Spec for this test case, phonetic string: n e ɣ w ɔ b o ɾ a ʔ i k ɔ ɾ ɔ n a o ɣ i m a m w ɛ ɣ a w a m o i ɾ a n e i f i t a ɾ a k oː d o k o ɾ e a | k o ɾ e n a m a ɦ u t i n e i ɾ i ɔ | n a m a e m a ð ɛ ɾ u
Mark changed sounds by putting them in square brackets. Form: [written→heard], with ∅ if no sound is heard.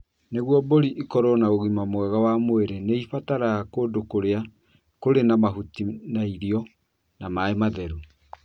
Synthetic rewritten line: n e ɣ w ɔ b o ɾ [a→i] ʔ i k ɔ ɾ ɔ n a o ɣ i m a m w ɛ ɣ a w a m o [i→e] ɾ [a→e] n e i f [i→a] t a ɾ a k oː d o k o ɾ e a | k o ɾ e n a m a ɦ u t i n [e→a] i ɾ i ɔ | n a m a e m a ð ɛ ɾ u